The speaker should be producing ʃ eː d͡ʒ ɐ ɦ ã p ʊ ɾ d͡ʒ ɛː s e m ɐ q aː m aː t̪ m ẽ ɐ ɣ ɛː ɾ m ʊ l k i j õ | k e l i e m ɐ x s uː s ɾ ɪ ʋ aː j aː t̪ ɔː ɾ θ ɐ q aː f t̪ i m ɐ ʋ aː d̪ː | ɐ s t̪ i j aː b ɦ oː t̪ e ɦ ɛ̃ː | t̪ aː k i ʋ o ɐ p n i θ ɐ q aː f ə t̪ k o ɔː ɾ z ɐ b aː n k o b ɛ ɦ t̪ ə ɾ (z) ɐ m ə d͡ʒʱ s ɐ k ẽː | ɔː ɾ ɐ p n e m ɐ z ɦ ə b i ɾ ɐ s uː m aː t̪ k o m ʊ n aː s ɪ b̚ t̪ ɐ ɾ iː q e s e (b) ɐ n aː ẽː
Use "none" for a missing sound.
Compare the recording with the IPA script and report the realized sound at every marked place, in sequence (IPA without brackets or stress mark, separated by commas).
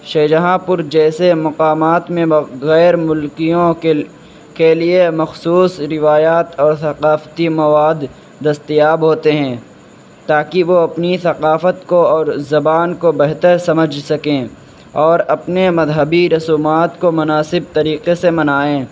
s, m